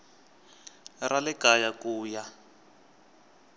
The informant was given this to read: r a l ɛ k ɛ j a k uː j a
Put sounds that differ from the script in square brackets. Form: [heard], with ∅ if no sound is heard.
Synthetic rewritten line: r a l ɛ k [a] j a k uː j a